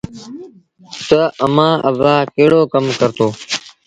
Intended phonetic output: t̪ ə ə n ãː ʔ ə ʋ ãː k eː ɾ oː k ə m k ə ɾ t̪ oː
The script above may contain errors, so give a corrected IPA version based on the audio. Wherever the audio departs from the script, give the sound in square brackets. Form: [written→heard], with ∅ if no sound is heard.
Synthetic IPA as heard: t̪ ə ə [n→m] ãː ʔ ə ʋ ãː k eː [ɾ→ɽ] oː k ə m k ə ɾ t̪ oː